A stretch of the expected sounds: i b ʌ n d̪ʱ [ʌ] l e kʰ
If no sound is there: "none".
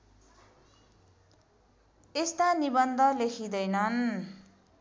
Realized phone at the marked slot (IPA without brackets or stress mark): ʌ